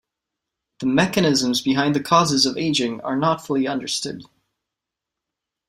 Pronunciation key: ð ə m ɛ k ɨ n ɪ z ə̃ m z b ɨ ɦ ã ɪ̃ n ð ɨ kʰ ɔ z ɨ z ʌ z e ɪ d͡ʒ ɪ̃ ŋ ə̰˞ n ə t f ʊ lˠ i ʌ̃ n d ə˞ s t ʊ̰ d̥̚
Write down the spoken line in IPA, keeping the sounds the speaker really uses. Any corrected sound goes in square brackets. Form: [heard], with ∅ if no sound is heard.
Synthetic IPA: ð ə m ɛ k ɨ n ɪ z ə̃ m z b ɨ ɦ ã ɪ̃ n ð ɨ kʰ ɔ z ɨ z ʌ [v] e ɪ d͡ʒ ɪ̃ ŋ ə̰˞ n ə t f ʊ lˠ i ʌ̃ n d ə˞ s t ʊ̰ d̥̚